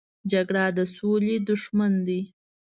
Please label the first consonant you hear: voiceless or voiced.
voiced